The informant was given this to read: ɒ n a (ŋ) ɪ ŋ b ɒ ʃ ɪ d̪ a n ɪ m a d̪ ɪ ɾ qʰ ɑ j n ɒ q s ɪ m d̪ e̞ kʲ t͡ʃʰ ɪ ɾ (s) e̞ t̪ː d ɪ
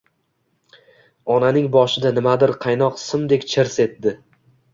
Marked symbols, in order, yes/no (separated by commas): no, yes